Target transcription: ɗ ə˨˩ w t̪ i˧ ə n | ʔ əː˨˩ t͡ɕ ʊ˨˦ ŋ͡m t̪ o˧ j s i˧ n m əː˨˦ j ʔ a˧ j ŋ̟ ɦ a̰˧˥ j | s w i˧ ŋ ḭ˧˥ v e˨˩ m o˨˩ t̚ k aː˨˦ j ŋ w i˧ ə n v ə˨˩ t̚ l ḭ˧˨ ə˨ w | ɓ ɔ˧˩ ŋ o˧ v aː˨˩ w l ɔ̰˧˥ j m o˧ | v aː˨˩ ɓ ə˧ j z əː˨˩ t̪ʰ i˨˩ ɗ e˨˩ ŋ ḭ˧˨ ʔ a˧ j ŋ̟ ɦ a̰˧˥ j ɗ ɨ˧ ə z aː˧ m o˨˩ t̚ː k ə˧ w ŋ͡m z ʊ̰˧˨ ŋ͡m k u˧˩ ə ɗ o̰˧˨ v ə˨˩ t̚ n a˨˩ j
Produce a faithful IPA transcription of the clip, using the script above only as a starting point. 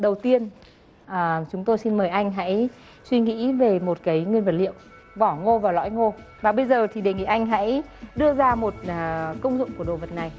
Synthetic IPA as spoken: ɗ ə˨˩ w t̪ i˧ ə n | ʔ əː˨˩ t͡ɕ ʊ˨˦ ŋ͡m t̪ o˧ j s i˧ n m əː˨˩ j ʔ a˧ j ŋ̟ ɦ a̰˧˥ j | s w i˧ ŋ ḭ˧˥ v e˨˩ m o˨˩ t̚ k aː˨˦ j ŋ w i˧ ə n v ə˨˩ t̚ l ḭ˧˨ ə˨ w | ɓ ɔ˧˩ ŋ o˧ v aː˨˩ w l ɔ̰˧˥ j ŋ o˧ | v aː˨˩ ɓ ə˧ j z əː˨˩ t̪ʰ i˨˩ ɗ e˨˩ ŋ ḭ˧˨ ʔ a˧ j ŋ̟ ɦ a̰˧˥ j ɗ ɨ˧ ə z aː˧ m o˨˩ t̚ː k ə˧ w ŋ͡m z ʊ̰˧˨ ŋ͡m k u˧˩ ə ɗ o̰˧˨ v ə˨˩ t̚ n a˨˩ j